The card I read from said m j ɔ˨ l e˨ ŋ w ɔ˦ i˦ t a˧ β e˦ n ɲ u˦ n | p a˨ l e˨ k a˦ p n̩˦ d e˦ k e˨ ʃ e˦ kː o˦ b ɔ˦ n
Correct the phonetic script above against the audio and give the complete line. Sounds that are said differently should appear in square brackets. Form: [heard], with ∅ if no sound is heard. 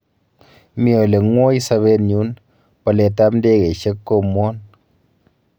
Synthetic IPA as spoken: m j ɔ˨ l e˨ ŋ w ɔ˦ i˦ [s] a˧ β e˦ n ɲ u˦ n | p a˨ l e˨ [t] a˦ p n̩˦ d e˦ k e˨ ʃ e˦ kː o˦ [m] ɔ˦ n